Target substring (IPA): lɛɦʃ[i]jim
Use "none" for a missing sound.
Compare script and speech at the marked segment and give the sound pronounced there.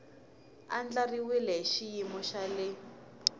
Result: i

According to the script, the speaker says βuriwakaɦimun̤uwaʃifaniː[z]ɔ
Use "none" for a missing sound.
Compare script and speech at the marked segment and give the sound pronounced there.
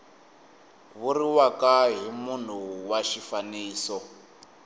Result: s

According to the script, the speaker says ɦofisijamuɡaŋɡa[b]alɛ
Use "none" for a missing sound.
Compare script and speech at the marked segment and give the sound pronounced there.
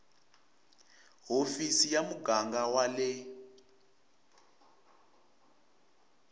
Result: w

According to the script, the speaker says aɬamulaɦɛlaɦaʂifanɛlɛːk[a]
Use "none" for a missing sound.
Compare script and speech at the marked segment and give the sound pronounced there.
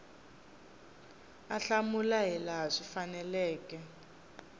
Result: ɛ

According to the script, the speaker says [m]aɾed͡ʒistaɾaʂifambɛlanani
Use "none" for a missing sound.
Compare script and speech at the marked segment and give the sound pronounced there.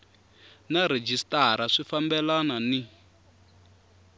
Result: n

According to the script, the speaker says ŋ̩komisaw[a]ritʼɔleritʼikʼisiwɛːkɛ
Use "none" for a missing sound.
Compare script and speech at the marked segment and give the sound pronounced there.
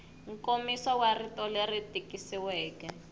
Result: a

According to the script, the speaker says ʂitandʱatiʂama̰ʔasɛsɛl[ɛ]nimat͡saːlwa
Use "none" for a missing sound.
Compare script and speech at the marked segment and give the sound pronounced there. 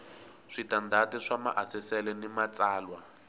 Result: ɛ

